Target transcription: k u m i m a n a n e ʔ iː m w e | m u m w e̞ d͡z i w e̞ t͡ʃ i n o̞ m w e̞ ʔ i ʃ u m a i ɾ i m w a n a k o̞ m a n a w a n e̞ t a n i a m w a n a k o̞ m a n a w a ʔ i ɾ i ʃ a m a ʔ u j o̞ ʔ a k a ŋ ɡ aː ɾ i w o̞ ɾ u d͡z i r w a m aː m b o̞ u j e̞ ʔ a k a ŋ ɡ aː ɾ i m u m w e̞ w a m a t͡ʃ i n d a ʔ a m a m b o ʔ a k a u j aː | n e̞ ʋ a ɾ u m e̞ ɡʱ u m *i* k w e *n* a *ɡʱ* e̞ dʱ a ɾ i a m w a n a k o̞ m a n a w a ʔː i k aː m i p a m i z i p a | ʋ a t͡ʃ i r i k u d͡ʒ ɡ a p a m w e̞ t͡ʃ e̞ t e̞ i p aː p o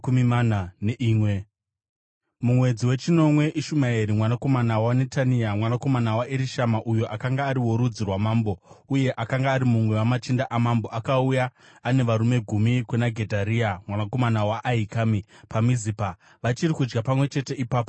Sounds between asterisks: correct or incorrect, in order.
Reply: correct, correct, correct

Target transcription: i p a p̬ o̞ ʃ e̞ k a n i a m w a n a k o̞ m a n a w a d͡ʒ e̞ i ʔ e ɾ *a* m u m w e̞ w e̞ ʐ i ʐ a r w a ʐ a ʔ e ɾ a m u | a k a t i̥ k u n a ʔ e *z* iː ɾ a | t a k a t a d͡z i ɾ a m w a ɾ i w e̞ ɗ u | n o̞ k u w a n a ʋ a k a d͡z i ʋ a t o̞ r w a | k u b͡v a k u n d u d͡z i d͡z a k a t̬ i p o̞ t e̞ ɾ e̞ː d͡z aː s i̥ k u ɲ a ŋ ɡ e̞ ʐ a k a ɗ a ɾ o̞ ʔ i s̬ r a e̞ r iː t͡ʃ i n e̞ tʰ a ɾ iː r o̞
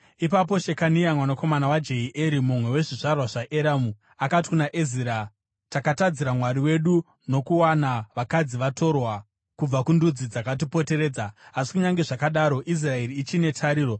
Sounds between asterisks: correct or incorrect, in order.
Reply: incorrect: i, correct

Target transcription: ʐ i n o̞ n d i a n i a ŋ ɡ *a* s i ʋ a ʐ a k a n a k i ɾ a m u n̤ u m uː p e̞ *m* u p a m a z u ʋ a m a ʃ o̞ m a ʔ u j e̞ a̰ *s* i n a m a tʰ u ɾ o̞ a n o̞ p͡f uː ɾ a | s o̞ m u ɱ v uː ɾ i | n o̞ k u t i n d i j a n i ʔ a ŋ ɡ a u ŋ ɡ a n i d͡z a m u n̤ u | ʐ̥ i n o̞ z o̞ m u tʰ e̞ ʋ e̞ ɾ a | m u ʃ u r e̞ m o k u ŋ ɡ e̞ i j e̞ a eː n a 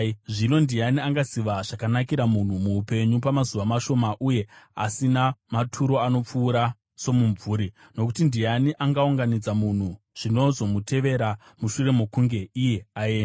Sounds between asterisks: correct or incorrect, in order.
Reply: correct, incorrect: ɲ, correct

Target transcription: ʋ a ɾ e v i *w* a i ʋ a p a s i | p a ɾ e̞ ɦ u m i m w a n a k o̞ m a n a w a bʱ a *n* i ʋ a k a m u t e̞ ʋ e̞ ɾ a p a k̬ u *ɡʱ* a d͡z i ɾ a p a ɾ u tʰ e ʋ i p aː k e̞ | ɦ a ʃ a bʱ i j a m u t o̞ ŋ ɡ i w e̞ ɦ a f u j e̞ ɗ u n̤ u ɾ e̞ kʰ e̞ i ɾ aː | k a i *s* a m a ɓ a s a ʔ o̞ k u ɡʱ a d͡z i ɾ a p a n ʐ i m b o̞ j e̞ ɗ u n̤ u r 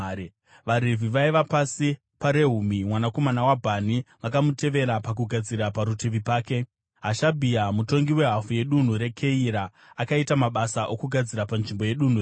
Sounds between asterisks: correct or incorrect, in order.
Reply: incorrect: ʋ, correct, correct, incorrect: t

